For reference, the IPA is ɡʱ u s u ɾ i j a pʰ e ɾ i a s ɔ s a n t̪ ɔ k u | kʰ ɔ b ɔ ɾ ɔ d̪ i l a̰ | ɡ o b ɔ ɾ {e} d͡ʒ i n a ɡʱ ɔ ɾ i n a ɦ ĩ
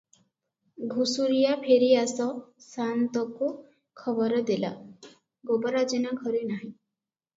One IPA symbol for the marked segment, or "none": a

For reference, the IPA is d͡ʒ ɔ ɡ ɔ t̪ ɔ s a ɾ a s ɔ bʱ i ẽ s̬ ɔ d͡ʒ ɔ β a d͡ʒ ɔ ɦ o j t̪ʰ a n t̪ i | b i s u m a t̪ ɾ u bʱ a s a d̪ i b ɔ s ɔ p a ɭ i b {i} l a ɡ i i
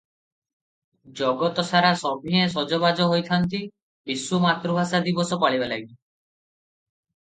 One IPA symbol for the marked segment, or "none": a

